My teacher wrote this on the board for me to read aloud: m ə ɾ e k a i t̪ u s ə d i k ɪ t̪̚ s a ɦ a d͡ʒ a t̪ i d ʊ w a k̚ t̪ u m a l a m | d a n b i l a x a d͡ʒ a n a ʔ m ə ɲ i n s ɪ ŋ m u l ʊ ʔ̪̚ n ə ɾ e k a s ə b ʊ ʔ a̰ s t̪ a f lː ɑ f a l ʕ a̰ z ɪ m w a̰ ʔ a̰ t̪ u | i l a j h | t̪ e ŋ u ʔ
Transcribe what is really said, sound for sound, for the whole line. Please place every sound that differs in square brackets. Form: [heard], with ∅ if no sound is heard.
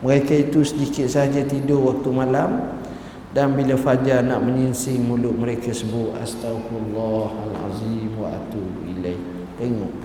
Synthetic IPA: m ə ɾ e k a i t̪ u s ə d i k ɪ t̪̚ s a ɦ a d͡ʒ a t̪ i d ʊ w a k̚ t̪ u m a l a m | d a n b i l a [f] a d͡ʒ a n a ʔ m ə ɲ i n s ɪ ŋ m u l ʊ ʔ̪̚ [m] ə ɾ e k a s ə b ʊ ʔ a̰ s t̪ a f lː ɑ [h] a l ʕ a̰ z [i] m w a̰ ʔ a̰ t̪ u | i l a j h | t̪ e ŋ [ɔ] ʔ